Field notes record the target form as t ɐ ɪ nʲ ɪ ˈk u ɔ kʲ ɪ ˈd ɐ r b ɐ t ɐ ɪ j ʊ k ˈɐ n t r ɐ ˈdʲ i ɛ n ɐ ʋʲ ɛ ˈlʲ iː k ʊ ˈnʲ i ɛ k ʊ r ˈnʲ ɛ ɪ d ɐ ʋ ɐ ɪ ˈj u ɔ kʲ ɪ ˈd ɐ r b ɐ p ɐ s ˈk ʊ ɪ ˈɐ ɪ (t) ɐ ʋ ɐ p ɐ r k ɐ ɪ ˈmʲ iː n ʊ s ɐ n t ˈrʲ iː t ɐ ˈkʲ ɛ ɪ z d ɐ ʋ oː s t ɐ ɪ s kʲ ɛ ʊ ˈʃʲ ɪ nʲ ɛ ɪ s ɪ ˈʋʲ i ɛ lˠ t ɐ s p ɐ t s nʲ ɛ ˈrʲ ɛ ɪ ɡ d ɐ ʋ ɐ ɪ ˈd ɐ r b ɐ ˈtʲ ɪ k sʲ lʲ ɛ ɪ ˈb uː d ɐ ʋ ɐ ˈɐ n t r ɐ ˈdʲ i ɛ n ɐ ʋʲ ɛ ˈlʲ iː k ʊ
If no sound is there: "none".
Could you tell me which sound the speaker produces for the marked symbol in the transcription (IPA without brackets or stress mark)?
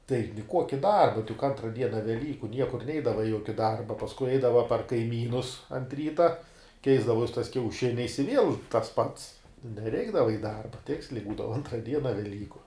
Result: d